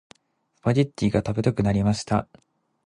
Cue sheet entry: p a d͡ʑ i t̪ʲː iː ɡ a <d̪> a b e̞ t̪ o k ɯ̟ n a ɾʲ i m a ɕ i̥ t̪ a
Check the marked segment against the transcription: incorrect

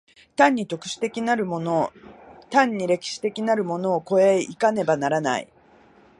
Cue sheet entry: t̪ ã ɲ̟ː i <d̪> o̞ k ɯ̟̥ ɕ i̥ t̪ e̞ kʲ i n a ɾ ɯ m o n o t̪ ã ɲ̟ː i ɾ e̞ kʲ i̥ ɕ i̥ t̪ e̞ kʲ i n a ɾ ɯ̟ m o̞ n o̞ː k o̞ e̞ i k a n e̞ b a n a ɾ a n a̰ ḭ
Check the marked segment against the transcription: incorrect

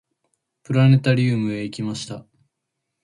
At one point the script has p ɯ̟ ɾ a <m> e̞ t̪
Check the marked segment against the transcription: incorrect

